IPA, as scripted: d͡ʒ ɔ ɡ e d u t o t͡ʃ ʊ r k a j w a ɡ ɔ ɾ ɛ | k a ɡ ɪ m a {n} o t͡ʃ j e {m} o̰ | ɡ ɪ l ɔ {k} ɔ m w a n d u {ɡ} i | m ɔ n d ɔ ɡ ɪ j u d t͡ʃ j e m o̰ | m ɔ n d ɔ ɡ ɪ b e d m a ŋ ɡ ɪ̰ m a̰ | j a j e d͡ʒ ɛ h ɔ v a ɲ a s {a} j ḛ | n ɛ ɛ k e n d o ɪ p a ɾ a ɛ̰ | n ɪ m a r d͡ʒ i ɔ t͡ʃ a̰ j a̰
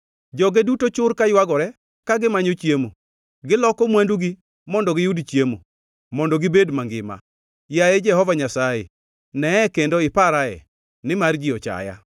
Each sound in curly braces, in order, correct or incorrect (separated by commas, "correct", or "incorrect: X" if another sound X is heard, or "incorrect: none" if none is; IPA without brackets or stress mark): incorrect: ɲ, correct, correct, correct, correct